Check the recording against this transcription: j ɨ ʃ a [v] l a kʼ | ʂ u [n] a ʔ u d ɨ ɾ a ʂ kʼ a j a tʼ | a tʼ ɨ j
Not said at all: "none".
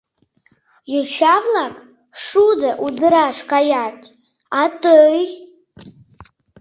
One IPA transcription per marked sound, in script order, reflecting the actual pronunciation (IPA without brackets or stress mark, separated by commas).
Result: v, d